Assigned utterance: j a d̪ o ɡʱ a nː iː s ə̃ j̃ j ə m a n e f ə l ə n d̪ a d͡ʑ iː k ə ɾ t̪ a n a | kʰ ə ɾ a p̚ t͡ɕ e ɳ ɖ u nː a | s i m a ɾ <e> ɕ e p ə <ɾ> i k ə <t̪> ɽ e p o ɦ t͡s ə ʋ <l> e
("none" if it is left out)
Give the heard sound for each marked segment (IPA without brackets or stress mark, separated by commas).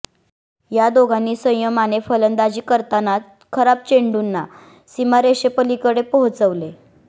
e, l, none, l